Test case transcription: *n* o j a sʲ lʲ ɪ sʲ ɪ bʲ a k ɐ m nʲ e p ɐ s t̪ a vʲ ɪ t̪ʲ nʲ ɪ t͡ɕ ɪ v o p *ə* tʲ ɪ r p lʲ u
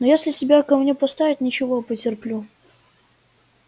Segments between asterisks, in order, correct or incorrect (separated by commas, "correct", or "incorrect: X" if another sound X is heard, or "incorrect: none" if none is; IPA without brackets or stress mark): correct, correct